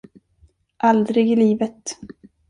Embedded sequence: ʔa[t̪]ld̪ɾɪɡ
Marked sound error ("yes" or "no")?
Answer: yes